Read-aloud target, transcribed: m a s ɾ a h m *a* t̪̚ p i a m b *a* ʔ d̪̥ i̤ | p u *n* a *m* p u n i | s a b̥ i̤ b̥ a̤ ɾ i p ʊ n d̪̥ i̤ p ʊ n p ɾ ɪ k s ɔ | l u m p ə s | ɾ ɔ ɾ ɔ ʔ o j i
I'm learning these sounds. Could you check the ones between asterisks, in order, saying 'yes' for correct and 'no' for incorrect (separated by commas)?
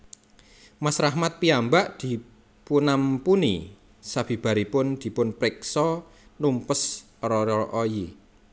yes, yes, yes, yes